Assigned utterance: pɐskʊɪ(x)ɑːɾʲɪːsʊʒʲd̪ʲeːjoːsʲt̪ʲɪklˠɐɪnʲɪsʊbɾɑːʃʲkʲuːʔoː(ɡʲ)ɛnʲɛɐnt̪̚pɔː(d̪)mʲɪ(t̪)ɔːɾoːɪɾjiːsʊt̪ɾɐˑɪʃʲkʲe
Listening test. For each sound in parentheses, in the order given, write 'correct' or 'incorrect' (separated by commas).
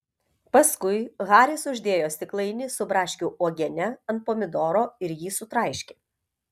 incorrect, correct, incorrect, incorrect